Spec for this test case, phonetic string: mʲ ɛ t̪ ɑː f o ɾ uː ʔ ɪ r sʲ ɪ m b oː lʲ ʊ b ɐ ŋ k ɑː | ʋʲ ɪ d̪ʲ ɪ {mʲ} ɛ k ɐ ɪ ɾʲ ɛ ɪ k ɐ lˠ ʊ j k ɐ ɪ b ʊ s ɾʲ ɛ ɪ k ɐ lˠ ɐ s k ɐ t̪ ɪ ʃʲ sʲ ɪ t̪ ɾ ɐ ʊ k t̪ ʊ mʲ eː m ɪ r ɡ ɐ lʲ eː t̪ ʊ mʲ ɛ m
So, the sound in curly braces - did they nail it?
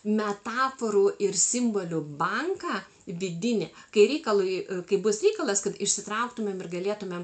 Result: no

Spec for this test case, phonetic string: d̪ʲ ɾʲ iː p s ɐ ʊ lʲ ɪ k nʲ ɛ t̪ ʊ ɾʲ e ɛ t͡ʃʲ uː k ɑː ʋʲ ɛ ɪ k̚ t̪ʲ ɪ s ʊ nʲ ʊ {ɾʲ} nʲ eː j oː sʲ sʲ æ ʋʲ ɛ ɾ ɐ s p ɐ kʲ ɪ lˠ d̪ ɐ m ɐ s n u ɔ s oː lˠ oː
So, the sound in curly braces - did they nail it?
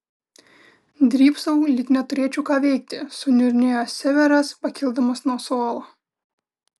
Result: yes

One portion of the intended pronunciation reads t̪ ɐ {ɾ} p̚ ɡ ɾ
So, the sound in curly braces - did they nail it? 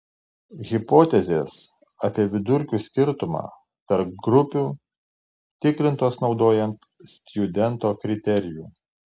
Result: yes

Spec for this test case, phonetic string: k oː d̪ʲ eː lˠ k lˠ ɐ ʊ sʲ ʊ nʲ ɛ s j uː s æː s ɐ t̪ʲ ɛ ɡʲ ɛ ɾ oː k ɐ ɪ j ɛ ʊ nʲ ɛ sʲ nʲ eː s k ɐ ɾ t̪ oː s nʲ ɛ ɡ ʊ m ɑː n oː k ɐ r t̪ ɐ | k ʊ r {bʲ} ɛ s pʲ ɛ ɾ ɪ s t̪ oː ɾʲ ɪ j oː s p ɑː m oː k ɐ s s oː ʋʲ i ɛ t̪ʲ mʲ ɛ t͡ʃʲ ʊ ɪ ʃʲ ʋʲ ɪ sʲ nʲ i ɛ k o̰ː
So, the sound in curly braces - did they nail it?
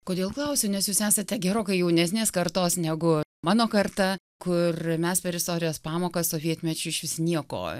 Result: no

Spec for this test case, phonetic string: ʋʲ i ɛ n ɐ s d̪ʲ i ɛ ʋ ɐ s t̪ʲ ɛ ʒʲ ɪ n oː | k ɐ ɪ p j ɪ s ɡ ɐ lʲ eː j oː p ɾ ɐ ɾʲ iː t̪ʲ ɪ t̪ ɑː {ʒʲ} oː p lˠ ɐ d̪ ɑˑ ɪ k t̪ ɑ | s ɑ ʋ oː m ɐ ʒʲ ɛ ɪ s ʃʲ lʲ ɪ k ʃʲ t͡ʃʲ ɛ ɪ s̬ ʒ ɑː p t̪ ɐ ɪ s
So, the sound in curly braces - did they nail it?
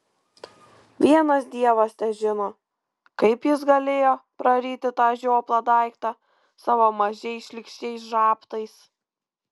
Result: yes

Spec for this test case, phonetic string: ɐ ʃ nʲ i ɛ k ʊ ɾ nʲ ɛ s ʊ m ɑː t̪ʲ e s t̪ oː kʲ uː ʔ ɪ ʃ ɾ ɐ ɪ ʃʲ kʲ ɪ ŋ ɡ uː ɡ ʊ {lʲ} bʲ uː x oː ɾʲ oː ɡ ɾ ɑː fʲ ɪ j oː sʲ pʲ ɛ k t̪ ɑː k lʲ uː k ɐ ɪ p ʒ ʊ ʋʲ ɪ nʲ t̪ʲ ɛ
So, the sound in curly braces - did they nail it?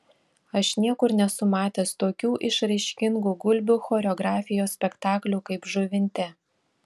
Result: yes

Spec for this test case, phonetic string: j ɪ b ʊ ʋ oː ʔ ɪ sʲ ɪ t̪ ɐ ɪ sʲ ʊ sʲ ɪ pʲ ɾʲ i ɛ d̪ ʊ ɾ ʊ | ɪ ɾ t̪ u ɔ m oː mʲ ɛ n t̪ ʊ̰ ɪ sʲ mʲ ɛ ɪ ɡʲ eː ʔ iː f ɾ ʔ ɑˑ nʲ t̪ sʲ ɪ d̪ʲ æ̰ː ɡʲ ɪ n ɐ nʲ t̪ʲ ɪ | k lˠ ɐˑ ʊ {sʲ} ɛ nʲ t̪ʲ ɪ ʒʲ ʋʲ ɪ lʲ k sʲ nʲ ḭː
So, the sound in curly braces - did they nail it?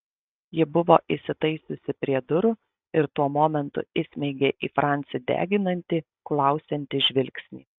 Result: yes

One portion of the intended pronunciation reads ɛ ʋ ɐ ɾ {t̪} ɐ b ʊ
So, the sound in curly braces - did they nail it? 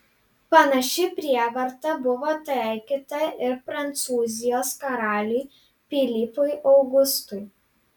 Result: yes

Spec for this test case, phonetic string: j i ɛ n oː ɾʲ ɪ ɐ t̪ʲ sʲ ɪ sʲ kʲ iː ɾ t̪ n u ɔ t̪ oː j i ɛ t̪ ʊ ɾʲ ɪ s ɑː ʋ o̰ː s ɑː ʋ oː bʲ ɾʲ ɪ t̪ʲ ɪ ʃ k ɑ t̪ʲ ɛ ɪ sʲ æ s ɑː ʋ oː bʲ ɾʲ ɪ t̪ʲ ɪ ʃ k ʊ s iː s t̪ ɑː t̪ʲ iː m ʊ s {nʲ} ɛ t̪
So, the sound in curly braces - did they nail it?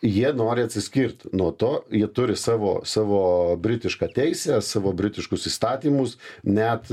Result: yes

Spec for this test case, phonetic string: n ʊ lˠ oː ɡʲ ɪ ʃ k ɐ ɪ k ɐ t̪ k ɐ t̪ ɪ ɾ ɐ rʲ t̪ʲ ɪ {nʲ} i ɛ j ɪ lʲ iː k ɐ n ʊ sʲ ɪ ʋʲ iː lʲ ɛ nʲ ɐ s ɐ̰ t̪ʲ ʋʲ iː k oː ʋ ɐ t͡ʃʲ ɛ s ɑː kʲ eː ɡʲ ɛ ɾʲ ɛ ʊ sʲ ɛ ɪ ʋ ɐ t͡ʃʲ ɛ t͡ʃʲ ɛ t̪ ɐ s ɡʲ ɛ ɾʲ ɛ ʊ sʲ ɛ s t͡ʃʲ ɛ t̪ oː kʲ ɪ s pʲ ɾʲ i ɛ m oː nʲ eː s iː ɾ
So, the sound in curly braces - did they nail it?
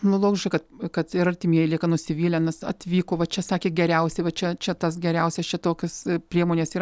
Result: no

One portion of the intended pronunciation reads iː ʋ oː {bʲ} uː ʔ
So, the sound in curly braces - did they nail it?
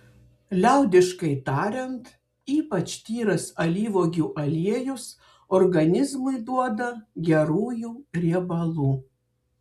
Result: no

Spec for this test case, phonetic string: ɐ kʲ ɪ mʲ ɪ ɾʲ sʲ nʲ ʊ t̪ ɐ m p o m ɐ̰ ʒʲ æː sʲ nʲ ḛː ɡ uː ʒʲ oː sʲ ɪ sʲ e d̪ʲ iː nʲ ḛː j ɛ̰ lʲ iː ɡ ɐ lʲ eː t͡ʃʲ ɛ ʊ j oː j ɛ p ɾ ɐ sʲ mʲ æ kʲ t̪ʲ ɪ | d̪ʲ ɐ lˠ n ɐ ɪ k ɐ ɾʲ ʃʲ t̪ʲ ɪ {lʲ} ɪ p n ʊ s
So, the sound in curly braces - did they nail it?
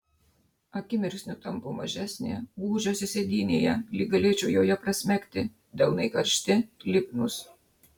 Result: yes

